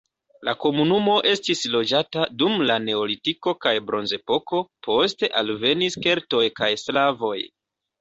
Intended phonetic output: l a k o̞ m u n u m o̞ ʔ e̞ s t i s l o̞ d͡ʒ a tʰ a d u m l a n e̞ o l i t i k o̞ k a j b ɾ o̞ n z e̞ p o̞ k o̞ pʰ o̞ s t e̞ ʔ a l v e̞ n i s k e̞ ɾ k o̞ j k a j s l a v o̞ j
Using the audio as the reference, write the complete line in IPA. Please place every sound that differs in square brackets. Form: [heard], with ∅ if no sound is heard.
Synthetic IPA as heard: l a k o̞ m u n u m o̞ ʔ e̞ s t i s l o̞ d͡ʒ a [t] a d u m l a n e̞ o l i t i k o̞ k a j b ɾ o̞ n z e̞ p o̞ k o̞ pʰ o̞ s t e̞ ʔ a l v e̞ n i s k e̞ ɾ [t] o̞ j k a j s l a v o̞ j